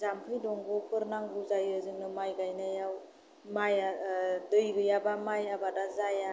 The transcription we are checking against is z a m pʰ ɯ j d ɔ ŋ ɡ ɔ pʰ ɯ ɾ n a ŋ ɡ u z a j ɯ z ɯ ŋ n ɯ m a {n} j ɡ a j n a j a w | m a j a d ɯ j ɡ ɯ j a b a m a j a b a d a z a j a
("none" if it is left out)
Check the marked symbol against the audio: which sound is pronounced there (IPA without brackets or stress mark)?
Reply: none